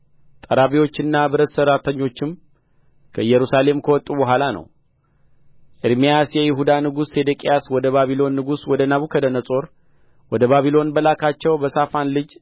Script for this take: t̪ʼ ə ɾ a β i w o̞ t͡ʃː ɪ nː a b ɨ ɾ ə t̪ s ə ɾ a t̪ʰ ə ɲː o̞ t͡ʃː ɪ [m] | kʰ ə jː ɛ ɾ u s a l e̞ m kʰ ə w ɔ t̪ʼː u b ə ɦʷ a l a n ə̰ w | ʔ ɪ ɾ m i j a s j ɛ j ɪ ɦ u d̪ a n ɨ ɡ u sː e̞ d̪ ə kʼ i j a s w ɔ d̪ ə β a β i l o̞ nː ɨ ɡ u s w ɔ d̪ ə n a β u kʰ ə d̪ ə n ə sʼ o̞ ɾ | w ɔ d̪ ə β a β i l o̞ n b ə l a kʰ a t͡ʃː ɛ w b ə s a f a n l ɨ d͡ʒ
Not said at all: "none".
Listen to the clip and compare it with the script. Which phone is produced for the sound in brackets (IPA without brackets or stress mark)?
m